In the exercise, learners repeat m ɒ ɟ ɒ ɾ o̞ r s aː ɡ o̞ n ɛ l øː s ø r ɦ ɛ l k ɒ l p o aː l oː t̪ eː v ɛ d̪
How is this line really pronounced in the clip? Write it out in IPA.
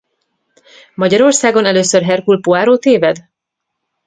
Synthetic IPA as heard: m ɒ ɟ ɒ ɾ o̞ r s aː ɡ o̞ n ɛ l øː s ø r ɦ ɛ r k u l p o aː ɾ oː t̪ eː v ɛ d̪